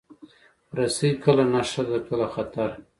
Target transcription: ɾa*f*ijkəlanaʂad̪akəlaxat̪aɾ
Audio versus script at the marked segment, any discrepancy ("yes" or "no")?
yes